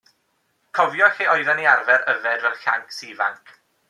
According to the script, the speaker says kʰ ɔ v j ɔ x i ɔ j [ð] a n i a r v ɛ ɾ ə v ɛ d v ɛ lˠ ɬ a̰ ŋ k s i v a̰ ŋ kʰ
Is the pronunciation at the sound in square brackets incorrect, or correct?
correct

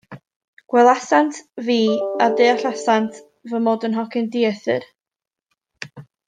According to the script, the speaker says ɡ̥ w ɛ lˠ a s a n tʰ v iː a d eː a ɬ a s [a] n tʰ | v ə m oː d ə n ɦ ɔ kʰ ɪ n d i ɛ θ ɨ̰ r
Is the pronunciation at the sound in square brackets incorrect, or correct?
correct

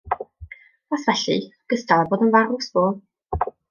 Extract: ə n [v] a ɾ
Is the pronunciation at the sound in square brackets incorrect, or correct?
correct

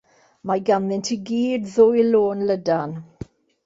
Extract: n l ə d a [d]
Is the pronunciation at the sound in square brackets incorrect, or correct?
incorrect: n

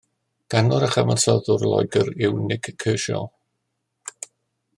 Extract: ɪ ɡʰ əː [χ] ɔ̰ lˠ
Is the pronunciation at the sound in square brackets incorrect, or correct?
incorrect: ʃ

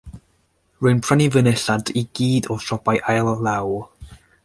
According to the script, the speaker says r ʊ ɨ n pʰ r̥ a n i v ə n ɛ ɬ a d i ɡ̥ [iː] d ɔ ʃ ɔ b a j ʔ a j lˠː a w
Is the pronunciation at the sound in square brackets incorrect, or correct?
correct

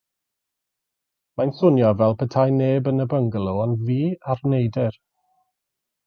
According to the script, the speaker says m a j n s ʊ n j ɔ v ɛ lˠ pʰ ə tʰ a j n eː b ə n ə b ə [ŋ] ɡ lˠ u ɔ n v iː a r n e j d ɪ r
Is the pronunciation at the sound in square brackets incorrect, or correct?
correct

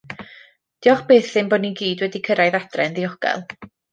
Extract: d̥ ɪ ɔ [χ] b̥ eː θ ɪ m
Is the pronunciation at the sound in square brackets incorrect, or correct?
correct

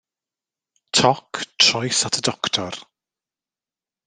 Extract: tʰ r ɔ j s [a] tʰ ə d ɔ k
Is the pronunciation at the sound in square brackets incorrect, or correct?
correct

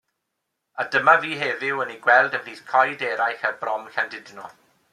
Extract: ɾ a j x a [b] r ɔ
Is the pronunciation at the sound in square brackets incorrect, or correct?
correct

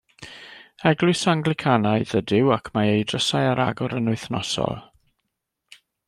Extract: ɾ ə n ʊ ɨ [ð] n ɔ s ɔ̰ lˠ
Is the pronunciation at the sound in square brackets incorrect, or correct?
incorrect: θ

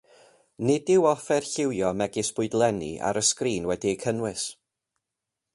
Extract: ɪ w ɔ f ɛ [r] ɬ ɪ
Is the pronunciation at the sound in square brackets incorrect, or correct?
correct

